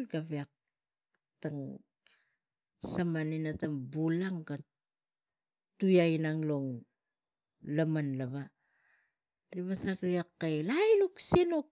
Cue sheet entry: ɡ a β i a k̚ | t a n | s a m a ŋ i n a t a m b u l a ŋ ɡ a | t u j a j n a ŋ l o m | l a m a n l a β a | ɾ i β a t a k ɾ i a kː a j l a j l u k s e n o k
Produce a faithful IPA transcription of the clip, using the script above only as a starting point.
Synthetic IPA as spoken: ɡ a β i a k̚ | t a ŋ | s a m a n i n a t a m b u l a ŋ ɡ a | t u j a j n a ŋ l o ŋ | l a m a n l a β a | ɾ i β a s a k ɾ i a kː a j l a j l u k s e n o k